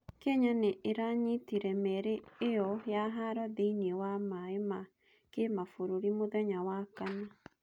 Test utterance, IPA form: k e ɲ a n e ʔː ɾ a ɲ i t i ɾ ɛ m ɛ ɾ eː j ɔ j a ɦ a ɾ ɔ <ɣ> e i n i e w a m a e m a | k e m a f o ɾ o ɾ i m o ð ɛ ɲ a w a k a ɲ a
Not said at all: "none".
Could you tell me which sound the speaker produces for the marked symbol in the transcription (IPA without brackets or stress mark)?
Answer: ð